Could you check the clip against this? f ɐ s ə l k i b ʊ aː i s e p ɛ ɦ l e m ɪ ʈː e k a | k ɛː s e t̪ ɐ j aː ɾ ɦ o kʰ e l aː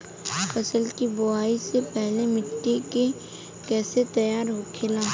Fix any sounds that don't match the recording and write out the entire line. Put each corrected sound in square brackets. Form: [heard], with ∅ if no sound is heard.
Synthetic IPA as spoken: f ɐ s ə l k i b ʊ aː i s e p ɛ ɦ l e m ɪ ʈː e k [e] | k ɛː s e t̪ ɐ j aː ɾ ɦ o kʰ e l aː